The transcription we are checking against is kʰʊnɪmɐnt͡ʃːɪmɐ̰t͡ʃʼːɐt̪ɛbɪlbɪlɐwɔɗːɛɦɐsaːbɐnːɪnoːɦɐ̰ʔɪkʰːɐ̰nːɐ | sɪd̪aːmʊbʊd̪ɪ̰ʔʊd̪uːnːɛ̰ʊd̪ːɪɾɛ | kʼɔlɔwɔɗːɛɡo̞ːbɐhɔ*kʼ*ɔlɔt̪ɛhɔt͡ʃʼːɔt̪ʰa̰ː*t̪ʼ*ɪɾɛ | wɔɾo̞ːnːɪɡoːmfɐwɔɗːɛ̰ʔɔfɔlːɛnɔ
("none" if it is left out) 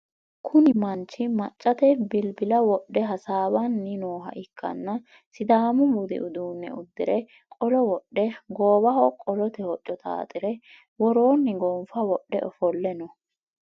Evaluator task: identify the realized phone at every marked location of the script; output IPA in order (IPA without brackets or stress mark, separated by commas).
kʼ, t̪ʼ